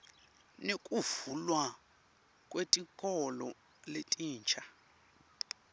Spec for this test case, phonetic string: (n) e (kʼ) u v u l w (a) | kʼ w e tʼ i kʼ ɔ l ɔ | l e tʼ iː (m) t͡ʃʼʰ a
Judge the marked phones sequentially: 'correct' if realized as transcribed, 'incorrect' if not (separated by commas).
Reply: correct, correct, correct, incorrect